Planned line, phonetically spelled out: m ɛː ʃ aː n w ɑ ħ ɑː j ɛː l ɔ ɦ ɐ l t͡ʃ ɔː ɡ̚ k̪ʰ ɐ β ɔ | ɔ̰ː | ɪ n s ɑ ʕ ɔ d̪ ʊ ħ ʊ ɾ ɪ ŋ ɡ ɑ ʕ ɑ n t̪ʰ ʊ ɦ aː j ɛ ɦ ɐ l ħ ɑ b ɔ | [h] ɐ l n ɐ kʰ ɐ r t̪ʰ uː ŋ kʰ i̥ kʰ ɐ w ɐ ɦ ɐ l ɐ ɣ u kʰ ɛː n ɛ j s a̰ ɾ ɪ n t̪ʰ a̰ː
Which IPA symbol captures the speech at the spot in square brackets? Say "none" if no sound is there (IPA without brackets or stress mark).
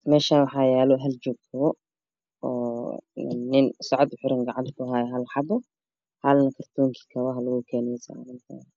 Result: h